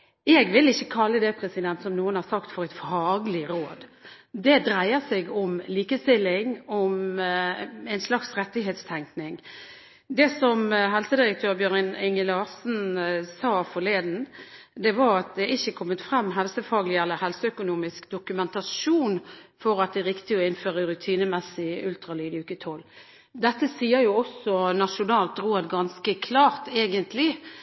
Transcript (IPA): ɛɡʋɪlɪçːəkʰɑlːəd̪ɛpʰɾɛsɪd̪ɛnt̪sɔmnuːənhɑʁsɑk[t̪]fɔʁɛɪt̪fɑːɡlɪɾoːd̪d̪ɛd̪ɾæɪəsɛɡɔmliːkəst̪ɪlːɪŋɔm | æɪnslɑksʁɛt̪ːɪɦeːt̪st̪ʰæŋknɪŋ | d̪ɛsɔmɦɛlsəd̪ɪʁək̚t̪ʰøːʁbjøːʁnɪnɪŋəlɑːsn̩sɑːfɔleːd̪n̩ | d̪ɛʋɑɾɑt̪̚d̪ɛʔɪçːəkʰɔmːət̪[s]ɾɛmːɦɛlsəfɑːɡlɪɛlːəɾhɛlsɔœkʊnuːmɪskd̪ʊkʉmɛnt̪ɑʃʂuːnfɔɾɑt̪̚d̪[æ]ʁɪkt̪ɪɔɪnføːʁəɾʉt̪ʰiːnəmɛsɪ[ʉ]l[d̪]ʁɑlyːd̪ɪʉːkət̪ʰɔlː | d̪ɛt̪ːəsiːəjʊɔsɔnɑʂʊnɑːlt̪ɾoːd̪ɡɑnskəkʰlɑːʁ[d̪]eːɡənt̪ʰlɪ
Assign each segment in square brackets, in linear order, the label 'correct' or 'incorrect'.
correct, incorrect: f, incorrect: ɛ, correct, incorrect: t̪, incorrect: t̪

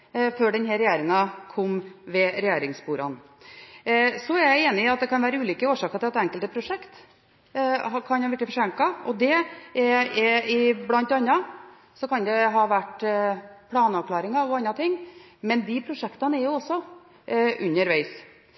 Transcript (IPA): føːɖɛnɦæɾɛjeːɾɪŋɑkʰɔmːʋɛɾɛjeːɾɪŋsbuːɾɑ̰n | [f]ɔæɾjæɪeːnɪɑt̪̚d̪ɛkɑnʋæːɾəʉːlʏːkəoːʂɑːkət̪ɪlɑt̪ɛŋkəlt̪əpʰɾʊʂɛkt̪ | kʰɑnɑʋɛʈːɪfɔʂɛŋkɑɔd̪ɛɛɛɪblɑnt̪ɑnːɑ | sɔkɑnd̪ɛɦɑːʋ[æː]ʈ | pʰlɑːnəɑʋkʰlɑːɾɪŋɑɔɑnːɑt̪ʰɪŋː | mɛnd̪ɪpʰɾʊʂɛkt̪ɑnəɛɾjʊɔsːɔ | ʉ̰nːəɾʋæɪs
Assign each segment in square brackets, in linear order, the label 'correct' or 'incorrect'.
incorrect: s, incorrect: æ

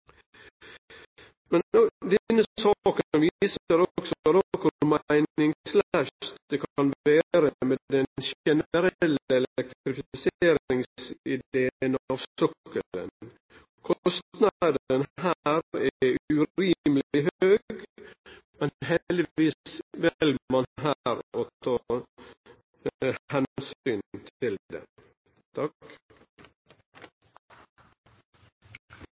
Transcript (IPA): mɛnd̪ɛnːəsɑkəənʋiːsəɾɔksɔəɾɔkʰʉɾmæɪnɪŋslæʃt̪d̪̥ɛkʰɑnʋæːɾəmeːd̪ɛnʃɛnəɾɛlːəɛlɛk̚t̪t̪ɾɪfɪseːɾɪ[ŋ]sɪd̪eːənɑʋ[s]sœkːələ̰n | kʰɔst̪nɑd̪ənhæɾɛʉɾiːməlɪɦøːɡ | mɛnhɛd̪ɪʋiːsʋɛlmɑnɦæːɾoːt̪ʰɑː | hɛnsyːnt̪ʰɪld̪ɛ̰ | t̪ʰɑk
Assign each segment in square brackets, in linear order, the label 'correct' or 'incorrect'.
correct, correct

